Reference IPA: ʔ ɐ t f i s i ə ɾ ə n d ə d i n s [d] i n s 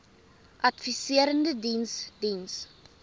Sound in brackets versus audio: correct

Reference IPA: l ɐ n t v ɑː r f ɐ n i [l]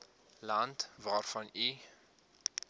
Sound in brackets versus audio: incorrect: none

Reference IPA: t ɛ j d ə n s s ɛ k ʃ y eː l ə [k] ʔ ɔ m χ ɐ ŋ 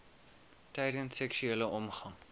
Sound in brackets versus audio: incorrect: none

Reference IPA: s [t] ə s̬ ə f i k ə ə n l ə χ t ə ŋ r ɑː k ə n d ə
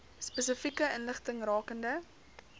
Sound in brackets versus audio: incorrect: p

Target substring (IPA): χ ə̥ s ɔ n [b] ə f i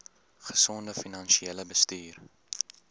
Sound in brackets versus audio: incorrect: d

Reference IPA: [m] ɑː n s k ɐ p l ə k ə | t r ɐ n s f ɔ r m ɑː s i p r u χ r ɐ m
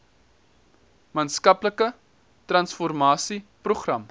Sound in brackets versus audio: correct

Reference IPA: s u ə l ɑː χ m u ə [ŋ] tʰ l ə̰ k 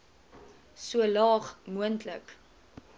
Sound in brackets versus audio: incorrect: n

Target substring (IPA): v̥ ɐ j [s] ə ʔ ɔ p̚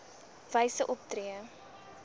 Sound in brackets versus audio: correct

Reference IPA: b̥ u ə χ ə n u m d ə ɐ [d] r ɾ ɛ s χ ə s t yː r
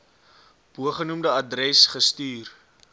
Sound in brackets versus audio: correct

